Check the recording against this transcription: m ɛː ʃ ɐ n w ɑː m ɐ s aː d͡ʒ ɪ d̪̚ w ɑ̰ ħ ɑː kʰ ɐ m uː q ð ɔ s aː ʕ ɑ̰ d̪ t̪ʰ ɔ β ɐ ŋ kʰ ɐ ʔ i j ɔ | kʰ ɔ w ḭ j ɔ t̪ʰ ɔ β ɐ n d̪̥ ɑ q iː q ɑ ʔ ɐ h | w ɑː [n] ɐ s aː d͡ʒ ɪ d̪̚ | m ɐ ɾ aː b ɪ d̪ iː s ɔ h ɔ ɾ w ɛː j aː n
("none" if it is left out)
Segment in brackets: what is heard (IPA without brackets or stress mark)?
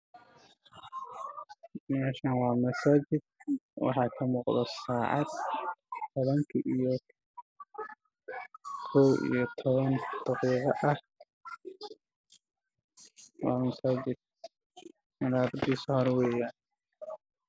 m